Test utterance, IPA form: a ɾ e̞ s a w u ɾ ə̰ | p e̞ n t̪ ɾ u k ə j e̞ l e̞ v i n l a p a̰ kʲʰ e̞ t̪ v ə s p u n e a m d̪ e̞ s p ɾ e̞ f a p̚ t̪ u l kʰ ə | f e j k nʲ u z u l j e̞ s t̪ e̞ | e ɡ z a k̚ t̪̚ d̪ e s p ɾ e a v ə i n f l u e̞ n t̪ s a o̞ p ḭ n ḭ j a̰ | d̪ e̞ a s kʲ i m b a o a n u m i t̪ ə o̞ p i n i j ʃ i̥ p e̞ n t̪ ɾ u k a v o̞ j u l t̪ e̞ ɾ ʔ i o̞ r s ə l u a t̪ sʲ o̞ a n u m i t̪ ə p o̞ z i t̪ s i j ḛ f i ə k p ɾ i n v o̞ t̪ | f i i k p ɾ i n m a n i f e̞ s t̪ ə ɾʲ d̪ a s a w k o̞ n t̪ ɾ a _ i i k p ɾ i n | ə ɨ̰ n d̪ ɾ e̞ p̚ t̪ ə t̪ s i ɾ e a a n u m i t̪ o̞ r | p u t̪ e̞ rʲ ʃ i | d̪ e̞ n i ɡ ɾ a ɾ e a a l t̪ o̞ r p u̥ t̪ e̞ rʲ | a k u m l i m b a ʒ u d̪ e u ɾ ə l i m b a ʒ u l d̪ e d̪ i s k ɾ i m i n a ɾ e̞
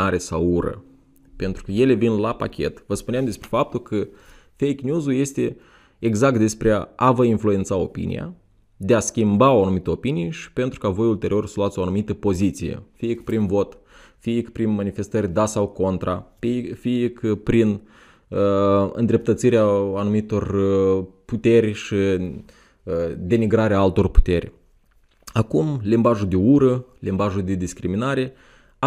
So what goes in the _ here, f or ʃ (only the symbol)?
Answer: f